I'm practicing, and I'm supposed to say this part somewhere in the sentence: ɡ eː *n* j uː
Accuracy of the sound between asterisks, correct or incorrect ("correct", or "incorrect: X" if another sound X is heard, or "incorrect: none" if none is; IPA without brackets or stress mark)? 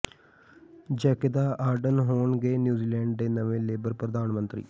correct